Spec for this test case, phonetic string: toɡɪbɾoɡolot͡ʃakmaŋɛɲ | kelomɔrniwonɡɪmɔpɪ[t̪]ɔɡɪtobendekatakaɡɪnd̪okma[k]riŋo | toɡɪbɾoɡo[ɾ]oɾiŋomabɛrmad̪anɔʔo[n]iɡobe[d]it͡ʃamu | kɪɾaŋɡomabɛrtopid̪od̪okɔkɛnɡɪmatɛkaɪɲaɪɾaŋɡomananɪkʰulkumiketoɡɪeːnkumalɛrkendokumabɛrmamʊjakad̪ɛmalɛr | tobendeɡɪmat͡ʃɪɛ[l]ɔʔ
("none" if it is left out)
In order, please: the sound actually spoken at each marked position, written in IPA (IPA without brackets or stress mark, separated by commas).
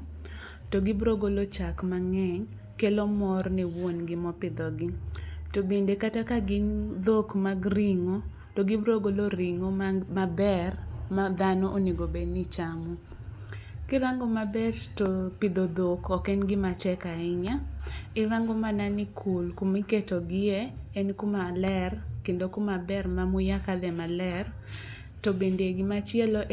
d̪, ɡ, l, n, n, l